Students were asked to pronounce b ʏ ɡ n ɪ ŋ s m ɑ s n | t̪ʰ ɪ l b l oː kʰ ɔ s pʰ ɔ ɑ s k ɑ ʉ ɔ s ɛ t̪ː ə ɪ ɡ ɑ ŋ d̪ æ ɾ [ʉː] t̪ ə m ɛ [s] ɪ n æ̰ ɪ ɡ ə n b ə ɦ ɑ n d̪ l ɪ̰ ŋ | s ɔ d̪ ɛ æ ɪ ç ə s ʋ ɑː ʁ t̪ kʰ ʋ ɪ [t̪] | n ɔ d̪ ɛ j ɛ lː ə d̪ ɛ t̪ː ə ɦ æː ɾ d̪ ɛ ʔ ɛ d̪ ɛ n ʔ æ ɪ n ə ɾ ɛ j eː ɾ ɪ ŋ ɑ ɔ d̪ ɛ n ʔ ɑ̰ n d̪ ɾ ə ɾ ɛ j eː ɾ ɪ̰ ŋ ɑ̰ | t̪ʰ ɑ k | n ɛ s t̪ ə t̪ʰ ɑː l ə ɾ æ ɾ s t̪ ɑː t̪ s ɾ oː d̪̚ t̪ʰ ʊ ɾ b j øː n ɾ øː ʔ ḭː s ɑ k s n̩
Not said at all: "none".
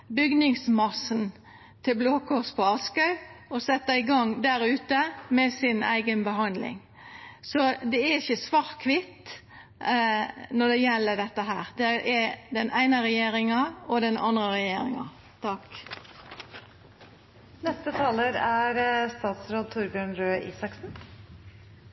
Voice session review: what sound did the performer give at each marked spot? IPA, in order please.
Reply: ʉː, s, t̪

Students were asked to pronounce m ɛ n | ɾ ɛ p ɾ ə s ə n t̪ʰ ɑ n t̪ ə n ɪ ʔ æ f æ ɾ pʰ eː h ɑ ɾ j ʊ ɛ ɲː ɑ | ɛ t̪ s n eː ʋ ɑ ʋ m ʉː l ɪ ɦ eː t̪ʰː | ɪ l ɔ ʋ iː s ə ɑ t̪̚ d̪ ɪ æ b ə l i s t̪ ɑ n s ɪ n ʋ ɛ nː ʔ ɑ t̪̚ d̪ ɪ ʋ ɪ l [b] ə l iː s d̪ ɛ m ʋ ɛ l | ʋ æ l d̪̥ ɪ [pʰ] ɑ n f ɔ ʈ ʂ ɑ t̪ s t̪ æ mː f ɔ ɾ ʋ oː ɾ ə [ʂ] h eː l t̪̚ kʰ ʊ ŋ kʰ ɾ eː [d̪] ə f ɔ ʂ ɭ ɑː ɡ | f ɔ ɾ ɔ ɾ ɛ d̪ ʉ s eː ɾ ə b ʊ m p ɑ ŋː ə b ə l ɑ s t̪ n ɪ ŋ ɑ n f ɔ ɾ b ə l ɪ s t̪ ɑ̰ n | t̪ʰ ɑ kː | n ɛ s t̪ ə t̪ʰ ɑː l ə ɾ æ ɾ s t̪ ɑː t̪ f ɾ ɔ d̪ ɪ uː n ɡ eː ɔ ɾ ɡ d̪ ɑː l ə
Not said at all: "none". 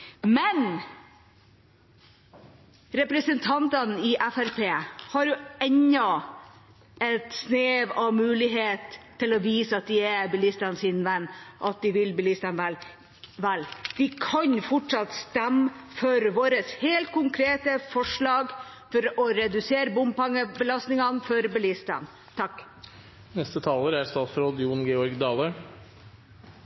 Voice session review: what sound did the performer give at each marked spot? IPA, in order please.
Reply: b, kʰ, s, t̪

